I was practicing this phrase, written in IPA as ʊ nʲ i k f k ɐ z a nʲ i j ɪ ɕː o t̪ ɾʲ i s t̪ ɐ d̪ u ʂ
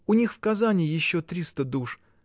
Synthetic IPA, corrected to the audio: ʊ nʲ i x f k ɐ z a nʲ ɪ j ɪ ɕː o t̪ ɾʲ i s t̪ ə d̪ u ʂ